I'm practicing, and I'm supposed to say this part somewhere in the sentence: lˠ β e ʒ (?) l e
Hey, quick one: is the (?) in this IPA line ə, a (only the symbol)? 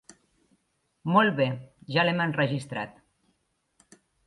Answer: a